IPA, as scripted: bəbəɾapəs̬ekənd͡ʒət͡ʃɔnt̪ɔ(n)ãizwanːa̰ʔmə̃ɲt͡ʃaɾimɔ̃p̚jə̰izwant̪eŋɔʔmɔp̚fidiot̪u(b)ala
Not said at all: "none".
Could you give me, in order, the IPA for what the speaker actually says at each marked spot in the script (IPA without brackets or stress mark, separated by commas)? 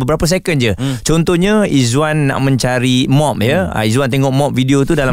ɲ, d